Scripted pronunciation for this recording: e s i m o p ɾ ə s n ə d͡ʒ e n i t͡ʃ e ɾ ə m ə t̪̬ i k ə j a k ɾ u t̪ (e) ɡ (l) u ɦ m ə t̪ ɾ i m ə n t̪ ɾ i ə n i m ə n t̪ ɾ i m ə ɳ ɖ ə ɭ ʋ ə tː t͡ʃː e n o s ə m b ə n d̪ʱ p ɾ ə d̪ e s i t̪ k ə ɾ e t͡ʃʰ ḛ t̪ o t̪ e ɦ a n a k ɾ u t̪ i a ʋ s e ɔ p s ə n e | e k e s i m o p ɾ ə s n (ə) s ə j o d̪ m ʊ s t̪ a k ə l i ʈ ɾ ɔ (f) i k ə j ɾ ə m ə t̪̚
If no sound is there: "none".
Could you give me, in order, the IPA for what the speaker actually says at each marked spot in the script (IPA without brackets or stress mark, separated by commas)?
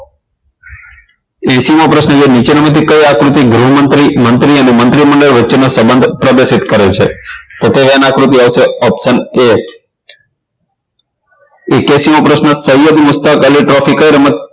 i, ɾ, ə, f